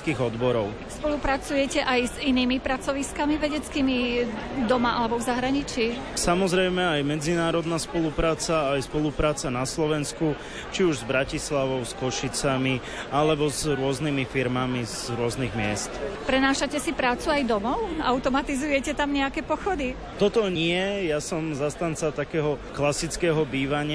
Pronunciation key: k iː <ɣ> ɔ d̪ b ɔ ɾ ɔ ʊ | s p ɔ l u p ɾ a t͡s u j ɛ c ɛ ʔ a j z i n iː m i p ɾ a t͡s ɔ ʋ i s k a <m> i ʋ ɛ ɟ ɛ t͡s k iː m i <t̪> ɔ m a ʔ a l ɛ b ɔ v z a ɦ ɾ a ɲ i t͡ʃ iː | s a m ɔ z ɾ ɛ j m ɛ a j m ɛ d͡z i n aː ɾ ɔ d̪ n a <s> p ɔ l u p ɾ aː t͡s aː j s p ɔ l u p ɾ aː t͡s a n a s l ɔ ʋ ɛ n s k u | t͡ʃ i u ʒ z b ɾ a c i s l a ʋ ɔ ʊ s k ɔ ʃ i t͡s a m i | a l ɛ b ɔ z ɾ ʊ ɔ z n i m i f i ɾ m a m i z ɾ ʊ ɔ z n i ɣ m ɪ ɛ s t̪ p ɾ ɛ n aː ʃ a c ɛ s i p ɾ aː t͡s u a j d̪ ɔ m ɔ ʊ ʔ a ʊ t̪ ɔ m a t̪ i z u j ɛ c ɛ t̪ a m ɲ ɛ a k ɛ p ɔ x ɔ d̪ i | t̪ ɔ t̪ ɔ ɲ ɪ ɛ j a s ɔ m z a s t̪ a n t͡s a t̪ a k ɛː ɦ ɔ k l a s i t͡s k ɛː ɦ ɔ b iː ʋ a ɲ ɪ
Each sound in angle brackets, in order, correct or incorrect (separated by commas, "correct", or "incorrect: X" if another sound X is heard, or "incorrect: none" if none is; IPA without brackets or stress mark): correct, correct, incorrect: d̪, correct